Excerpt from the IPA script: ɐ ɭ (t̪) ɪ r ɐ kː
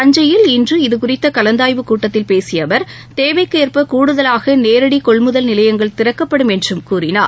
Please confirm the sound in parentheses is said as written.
yes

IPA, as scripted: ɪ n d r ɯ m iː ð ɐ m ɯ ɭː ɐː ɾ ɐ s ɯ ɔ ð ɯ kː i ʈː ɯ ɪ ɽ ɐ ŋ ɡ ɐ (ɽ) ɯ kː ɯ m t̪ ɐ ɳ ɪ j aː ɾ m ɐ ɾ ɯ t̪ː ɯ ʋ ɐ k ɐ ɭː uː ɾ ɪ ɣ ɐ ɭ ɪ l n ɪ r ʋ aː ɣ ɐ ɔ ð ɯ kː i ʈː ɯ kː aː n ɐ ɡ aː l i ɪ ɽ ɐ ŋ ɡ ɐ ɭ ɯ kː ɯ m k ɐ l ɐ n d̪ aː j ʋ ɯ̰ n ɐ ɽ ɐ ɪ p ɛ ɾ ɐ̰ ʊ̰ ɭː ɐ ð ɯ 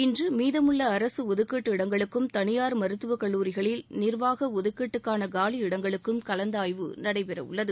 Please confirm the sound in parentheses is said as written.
no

